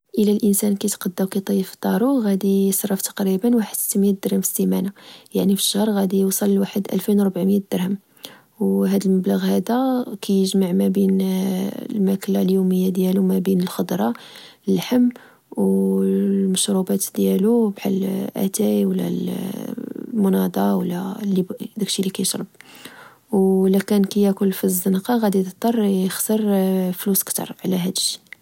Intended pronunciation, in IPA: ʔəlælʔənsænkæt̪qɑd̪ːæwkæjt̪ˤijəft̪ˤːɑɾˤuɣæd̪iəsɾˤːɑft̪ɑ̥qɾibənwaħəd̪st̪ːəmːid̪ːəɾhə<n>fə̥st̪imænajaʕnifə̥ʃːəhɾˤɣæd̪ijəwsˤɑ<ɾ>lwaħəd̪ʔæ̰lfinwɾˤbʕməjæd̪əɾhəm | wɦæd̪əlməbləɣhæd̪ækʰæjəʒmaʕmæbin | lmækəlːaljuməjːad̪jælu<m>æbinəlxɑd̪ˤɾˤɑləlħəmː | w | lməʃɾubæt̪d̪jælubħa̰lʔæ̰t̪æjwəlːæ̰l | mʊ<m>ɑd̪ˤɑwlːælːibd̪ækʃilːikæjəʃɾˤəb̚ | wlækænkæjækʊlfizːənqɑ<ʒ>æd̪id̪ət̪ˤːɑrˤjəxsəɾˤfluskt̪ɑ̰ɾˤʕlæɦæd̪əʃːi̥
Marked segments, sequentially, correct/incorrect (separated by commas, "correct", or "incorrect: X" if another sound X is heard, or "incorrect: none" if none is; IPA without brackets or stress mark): incorrect: m, incorrect: l, correct, incorrect: n, incorrect: ɣ